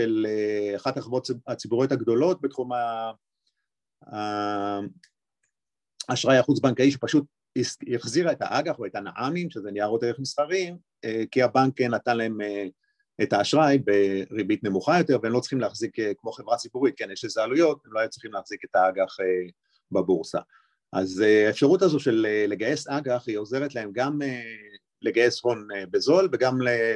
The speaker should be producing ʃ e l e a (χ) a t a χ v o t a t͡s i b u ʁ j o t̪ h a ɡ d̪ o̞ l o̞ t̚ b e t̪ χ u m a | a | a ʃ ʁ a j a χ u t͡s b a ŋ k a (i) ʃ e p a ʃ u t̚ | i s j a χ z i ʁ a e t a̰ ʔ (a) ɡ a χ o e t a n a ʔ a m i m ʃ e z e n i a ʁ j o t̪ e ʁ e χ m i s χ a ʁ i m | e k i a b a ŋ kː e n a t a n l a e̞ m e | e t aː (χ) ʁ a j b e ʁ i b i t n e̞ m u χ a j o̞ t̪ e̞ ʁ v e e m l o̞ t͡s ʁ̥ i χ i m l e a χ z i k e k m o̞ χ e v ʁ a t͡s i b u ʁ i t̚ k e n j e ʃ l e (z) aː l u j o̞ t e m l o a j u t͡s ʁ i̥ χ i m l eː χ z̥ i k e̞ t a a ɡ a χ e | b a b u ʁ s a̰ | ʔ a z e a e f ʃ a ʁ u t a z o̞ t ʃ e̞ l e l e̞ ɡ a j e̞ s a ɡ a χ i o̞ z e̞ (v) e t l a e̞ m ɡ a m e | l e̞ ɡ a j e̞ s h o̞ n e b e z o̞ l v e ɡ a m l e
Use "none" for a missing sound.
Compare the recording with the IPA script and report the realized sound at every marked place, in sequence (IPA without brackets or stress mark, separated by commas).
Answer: χ, i, a, ʃ, z, ʁ